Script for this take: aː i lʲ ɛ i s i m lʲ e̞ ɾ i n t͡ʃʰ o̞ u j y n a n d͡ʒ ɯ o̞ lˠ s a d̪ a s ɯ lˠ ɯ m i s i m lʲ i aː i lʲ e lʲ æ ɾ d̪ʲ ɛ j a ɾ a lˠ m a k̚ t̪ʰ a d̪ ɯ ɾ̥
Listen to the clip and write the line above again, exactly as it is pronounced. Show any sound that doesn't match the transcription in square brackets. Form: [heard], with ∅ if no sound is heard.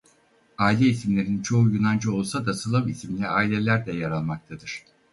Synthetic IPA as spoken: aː i lʲ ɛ i s i m lʲ e̞ ɾ i n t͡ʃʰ o̞ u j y n a n d͡ʒ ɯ o̞ lˠ s a d̪ a s ɯ lˠ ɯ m i s i m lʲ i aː i lʲ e lʲ æ ɾ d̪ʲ ɛ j a ɾ a lˠ m a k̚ t̪ʰ a d̪ ɯ ɾ̥